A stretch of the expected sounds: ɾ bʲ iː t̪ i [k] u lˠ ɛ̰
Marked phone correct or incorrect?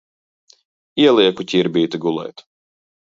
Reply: incorrect: ɡ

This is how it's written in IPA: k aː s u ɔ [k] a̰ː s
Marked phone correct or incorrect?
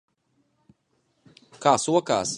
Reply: correct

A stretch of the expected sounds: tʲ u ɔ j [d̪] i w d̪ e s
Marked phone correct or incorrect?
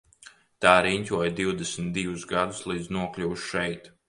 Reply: correct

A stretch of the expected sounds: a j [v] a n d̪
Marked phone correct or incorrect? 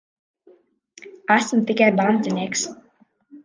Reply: incorrect: b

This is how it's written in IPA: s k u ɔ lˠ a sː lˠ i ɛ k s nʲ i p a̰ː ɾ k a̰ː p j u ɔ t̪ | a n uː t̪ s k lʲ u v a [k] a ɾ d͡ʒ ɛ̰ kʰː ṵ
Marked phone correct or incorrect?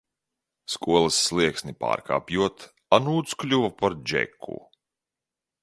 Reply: incorrect: p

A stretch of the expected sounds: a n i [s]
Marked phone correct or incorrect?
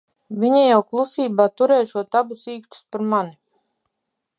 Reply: incorrect: none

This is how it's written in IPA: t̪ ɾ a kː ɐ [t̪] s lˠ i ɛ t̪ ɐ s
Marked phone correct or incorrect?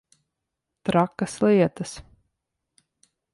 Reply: incorrect: none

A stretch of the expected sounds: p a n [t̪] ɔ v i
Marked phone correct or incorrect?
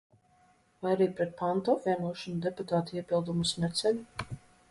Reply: correct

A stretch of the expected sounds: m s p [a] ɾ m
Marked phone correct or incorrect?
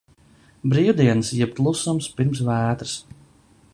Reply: incorrect: i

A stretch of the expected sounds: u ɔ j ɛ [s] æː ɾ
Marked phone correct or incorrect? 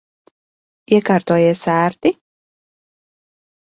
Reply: correct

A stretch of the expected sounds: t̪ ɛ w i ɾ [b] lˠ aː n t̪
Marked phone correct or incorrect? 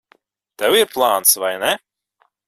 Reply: incorrect: p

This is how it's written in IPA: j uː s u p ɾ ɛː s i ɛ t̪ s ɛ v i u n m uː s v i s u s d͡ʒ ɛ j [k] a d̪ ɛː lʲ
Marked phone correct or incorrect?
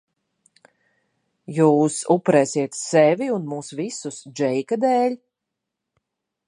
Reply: correct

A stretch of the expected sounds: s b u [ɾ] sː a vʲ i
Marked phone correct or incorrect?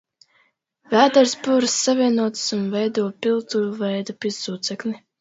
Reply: correct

